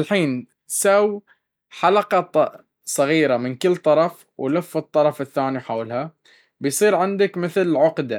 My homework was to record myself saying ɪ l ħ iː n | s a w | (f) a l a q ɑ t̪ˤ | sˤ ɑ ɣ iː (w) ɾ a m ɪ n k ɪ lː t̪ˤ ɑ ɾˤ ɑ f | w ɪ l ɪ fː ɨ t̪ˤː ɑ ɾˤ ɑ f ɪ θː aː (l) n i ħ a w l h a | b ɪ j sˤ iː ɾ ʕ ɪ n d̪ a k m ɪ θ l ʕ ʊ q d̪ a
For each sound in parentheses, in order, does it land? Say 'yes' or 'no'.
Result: no, no, no

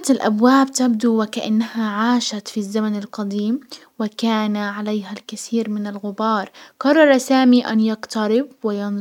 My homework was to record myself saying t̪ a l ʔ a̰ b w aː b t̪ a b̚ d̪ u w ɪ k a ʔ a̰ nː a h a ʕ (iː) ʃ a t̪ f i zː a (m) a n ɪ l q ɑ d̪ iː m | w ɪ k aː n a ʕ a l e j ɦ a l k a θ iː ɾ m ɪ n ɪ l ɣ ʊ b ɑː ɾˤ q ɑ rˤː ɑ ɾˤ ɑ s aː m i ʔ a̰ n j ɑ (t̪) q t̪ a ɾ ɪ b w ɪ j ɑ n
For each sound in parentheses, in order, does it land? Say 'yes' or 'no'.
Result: no, yes, no

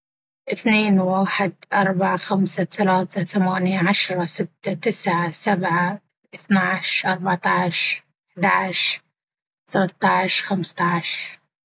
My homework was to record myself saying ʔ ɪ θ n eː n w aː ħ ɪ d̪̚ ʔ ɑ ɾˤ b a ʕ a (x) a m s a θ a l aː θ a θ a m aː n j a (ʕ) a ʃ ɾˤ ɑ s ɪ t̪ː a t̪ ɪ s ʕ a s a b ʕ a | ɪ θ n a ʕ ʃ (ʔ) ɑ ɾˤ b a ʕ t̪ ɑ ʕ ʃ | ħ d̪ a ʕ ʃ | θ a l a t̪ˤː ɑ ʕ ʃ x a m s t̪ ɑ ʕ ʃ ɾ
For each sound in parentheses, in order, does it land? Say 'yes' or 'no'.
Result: yes, yes, yes

